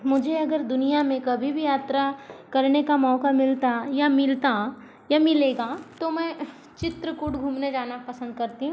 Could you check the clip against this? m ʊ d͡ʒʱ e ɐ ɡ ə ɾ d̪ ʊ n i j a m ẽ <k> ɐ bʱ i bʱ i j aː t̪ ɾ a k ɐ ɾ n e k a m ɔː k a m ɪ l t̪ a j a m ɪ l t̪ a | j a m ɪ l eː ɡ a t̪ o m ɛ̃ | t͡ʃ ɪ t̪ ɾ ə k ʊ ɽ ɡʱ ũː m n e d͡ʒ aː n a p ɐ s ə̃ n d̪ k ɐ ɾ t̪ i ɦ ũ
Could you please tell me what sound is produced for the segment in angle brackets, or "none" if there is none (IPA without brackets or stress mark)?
k